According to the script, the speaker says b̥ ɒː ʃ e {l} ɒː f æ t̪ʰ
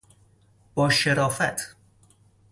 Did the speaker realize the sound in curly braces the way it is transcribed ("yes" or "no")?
no